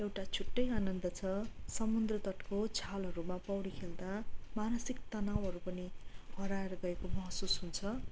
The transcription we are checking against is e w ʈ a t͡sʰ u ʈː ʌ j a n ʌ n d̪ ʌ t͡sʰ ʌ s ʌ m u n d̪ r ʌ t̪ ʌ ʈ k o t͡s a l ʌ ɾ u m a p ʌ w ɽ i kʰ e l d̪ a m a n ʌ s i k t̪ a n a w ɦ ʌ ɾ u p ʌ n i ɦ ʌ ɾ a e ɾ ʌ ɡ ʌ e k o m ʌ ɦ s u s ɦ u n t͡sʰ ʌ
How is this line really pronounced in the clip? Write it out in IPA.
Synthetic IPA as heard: e w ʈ a t͡sʰ u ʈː ʌ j a n ʌ n d̪ ʌ t͡sʰ ʌ s ʌ m u n d̪ r ʌ t̪ ʌ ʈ k o t͡sʰ a l ʌ ɾ u m a p ʌ w ɽ i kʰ e l d̪ a m a n ʌ s i k t̪ ʌ n a w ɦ ʌ ɾ u p ʌ n i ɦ ʌ ɾ a e ɾ ʌ ɡ ʌ e k o m ʌ ɦ s u s ɦ u n t͡sʰ ʌ